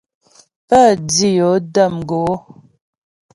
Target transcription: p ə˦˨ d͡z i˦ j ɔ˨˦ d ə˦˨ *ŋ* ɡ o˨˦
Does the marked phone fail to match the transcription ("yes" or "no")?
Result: yes